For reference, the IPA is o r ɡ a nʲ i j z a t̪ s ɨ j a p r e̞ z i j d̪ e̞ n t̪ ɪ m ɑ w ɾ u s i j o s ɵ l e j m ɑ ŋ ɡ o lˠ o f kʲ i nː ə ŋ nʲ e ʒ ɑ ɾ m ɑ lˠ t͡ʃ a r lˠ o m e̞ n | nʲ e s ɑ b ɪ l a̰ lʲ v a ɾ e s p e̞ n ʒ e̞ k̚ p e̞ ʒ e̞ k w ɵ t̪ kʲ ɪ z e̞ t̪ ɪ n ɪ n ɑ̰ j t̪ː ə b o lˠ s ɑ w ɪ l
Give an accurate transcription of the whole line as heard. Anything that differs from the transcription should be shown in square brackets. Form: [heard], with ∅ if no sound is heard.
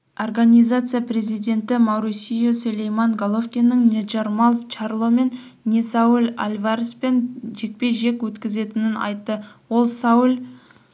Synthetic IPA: o r ɡ a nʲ i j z a t̪ s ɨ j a p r e̞ z i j d̪ e̞ n t̪ ɪ m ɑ w ɾ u s i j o s ɵ l e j m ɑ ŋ ɡ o lˠ o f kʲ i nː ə ŋ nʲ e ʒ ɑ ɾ m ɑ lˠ t͡ʃ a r lˠ o m e̞ n | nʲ e s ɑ [w] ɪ l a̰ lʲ v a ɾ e s p e̞ n ʒ e̞ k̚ p e̞ ʒ e̞ k w ɵ t̪ kʲ ɪ z e̞ t̪ ɪ n ɪ n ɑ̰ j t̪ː ə [w] o lˠ s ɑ w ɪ l

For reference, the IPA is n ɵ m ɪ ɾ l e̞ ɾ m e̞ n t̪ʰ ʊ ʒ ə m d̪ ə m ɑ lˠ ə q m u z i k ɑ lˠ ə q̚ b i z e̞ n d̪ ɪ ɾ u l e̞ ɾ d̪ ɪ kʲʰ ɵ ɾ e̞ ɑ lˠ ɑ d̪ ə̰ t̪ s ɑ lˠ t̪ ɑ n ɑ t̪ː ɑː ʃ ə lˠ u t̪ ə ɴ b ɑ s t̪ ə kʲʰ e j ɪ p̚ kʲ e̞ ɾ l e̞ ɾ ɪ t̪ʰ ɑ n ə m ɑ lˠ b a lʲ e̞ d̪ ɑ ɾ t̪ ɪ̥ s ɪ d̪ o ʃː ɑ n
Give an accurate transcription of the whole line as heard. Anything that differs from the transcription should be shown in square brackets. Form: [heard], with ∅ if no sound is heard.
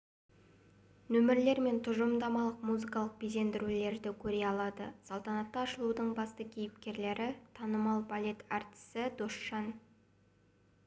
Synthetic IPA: n ɵ m ɪ ɾ l e̞ ɾ m e̞ n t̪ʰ ʊ ʒ ə m d̪ [ɑ] m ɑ lˠ ə q m u z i k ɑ lˠ ə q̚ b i z e̞ n d̪ ɪ ɾ u l e̞ ɾ d̪ ɪ kʲʰ ɵ ɾ e̞ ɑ lˠ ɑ d̪ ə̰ [∅] s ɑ lˠ t̪ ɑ n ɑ t̪ː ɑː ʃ ə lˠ u [d̪] ə ɴ b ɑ s t̪ ə kʲʰ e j ɪ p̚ kʲ e̞ ɾ l e̞ ɾ ɪ t̪ʰ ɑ n ə m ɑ lˠ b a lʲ e̞ [t̪] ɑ ɾ t̪ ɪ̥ s ɪ d̪ o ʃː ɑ n

